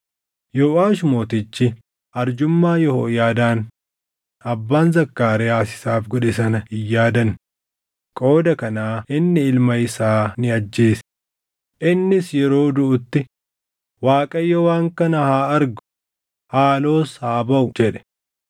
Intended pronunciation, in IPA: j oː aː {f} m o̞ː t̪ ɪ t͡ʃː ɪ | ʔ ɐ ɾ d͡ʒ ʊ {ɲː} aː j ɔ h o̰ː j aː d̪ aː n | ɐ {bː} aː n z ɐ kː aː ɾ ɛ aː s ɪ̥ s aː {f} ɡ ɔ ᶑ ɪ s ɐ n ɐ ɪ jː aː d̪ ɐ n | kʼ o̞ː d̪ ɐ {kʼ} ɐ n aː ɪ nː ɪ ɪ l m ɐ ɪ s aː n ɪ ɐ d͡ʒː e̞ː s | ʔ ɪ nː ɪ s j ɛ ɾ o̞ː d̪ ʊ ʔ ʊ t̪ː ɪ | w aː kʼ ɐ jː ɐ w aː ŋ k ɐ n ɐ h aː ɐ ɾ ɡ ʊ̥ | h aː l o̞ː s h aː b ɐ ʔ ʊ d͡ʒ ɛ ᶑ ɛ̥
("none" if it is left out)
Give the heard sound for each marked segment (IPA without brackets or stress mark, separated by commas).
ʃ, mː, bː, f, k